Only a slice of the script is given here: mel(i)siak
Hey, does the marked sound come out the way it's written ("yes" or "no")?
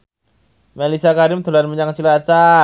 yes